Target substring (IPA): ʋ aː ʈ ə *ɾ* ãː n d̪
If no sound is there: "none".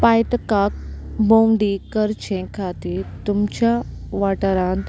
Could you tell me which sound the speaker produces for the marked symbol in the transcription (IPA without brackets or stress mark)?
ɾ